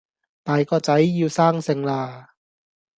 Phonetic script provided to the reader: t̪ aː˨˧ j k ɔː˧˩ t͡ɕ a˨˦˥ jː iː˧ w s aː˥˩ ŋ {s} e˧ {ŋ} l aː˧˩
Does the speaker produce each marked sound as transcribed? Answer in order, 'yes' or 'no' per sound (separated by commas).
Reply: yes, yes